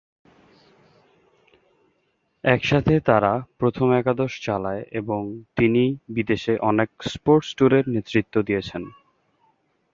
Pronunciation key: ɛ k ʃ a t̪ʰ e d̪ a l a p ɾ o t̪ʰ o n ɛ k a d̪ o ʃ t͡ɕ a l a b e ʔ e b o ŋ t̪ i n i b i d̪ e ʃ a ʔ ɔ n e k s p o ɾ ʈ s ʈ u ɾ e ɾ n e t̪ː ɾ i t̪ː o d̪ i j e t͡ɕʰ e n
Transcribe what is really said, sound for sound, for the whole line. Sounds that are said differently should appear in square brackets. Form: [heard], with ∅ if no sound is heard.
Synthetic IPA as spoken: ɛ k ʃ a t̪ʰ e [t̪] a [ɾ] a p ɾ o t̪ʰ o [m] ɛ k a d̪ o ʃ t͡ɕ a l a [∅] e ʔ e b o ŋ t̪ i n i b i d̪ e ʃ [e] ʔ ɔ n e k s p o ɾ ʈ s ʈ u ɾ e ɾ n e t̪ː ɾ i t̪ː o d̪ i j e t͡ɕʰ e n